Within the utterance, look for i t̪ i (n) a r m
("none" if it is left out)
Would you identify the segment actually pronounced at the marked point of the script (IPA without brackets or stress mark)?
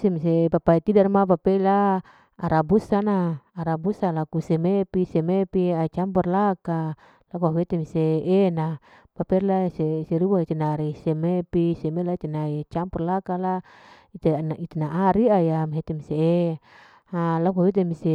d